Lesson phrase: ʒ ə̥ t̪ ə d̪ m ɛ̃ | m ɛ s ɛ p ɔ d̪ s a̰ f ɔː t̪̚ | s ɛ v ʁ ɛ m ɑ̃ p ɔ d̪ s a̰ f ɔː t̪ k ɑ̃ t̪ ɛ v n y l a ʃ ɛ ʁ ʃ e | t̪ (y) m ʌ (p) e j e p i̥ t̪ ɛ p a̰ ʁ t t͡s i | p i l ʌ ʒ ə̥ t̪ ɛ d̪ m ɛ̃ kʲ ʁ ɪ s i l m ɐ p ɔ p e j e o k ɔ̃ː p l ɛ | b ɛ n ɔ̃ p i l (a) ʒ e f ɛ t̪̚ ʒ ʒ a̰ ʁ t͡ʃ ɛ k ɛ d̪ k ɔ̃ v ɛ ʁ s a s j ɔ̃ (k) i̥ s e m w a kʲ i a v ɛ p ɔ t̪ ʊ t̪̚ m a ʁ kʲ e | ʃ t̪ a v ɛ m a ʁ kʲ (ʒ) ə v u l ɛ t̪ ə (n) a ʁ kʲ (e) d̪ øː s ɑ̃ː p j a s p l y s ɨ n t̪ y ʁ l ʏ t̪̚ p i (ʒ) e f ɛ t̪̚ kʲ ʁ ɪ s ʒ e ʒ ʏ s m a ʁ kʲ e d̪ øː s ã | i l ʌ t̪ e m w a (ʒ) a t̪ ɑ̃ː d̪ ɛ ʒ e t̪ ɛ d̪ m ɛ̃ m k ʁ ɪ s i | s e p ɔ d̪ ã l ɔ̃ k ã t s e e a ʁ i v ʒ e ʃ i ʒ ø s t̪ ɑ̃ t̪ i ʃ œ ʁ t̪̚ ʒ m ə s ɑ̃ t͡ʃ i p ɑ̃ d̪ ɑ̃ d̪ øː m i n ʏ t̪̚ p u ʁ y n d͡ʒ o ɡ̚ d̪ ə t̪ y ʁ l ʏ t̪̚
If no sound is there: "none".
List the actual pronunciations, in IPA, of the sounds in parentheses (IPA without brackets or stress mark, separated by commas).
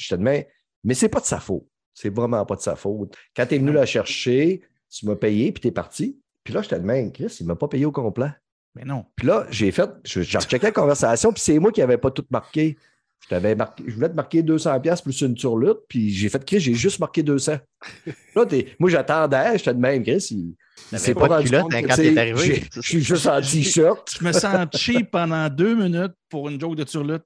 y, p, ʌ, p, ʒ, m, e, ʒ, ʒ